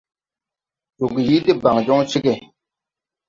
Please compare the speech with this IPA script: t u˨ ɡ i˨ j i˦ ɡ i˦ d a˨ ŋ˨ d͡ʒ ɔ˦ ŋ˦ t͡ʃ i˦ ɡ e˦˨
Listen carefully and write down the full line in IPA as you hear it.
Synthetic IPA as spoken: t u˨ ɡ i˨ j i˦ d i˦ b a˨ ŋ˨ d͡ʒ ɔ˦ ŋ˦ t͡ʃ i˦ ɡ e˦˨